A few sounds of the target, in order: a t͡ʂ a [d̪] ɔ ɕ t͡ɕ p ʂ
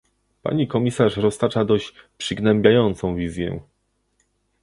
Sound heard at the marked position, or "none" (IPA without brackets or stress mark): d̪